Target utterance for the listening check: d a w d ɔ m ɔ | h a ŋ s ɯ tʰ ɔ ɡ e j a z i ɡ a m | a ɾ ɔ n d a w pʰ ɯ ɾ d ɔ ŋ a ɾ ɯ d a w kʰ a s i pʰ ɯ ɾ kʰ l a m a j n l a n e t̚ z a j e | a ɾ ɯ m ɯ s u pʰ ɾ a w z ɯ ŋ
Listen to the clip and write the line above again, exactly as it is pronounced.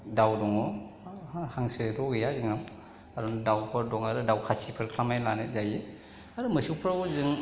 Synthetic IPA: d a w d ɔ ŋ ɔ | h a ŋ s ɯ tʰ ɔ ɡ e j a z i ŋ a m | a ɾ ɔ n d a w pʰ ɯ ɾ d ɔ ŋ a ɾ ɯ d a w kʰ a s i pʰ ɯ ɾ kʰ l a m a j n l a n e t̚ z a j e | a ɾ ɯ m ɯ s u pʰ ɾ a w z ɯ ŋ